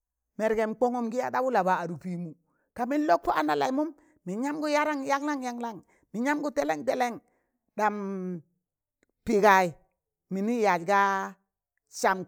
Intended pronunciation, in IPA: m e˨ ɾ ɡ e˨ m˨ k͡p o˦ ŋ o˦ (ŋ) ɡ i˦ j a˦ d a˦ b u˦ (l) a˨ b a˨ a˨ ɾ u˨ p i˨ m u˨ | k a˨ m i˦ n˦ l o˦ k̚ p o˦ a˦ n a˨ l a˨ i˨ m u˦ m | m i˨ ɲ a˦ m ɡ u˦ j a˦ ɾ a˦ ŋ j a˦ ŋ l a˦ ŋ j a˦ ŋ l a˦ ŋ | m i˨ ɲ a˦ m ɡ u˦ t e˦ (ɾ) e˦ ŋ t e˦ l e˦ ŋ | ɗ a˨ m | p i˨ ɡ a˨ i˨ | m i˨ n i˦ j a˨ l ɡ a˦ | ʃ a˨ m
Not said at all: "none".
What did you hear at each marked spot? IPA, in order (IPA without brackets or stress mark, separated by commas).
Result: m, l, l